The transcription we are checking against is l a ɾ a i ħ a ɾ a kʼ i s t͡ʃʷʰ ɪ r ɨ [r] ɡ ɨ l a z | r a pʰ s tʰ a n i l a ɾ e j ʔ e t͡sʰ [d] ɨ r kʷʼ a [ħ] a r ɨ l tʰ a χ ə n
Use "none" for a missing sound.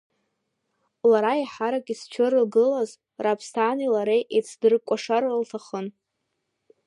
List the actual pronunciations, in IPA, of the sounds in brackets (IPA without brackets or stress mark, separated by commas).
l, d, ʂ